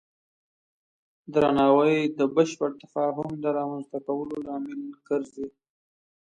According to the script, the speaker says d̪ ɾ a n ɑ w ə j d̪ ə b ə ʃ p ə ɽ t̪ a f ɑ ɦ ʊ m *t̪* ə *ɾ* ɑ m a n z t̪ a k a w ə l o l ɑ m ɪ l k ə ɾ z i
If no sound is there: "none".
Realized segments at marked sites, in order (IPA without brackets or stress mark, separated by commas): d̪, ɾ